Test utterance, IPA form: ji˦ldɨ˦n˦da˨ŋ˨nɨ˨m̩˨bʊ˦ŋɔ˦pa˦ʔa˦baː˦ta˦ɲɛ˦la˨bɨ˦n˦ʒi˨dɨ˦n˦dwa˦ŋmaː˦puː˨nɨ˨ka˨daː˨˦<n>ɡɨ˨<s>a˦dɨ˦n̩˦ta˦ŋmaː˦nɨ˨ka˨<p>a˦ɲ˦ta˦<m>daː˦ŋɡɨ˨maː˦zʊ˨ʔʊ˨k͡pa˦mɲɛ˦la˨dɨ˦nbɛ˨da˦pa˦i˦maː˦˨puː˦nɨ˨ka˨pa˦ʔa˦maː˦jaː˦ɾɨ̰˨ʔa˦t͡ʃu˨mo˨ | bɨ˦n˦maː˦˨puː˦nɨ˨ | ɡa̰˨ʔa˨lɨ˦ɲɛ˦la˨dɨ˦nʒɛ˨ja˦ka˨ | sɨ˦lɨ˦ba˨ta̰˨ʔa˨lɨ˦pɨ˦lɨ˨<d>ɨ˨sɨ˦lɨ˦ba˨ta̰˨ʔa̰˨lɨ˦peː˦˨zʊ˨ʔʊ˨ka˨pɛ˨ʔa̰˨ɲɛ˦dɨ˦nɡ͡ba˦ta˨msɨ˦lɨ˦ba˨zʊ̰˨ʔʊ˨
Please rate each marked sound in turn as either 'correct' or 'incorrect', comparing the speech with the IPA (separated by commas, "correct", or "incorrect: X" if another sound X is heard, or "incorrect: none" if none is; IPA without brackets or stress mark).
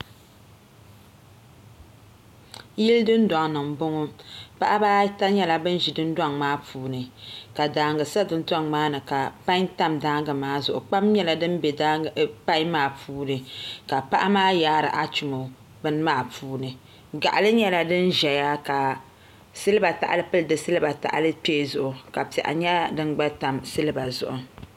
incorrect: ŋ, correct, correct, correct, correct